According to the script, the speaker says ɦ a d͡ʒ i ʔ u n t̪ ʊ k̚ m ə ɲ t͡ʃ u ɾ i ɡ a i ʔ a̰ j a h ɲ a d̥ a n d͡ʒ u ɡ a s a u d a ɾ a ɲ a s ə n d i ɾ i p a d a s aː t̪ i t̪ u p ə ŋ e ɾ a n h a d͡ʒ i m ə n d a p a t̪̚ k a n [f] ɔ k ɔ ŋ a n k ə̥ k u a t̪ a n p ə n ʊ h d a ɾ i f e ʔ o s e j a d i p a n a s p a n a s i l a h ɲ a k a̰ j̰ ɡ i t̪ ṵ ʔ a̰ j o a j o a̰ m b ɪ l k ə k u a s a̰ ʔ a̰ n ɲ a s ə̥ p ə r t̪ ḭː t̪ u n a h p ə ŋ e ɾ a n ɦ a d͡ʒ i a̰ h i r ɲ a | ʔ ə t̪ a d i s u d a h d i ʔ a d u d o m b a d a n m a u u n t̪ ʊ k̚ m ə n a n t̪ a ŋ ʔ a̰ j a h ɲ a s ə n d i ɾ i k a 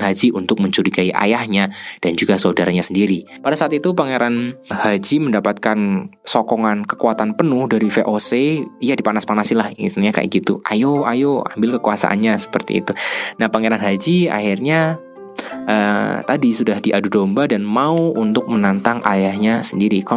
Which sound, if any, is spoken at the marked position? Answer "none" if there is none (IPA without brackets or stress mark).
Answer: s